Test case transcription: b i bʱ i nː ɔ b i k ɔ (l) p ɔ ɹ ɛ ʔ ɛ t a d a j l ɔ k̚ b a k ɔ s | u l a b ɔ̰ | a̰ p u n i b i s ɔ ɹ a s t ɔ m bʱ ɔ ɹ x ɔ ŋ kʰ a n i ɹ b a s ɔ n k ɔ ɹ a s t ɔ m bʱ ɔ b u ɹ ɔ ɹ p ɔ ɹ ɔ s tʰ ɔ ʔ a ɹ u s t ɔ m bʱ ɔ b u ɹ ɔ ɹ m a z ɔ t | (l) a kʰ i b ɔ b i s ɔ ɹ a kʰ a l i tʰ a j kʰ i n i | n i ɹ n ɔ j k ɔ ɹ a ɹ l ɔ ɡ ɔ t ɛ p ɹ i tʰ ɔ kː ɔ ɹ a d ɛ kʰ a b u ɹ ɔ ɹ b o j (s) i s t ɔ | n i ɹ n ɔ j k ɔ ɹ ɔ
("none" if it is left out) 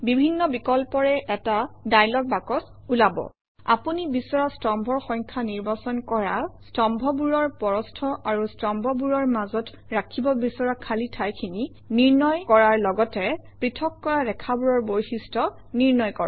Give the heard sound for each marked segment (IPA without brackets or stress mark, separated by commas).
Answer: l, ɹ, x